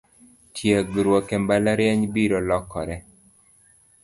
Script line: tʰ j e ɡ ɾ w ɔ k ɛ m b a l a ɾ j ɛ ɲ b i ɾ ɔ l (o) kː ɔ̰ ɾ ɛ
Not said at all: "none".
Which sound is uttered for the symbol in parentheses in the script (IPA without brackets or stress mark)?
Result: ɔ